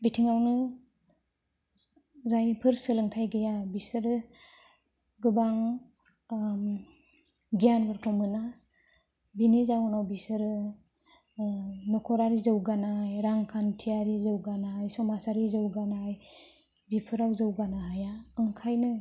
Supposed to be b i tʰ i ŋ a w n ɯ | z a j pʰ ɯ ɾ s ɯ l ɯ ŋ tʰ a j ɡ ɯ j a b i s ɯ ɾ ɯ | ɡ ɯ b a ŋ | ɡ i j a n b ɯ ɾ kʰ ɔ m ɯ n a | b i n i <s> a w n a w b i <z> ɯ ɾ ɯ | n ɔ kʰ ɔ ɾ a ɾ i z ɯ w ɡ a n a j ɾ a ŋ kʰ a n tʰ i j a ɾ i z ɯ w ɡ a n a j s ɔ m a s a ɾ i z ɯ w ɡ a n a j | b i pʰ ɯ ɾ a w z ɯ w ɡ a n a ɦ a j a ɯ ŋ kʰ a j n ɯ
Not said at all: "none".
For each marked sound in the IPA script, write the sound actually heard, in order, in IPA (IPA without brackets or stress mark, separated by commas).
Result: z, s